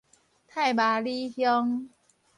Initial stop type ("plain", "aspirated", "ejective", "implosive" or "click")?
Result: aspirated